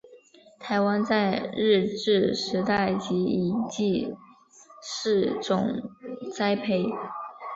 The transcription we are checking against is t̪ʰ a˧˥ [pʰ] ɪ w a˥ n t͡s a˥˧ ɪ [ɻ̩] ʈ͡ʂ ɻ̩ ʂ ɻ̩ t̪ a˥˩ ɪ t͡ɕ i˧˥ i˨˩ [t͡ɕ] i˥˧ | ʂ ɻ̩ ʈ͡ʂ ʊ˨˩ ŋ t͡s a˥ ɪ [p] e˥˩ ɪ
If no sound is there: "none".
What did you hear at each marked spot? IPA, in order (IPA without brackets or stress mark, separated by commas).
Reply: none, ɻ̩, t͡ɕ, pʰ